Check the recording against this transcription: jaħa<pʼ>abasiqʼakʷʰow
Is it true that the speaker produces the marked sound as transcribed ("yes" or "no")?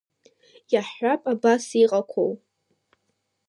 yes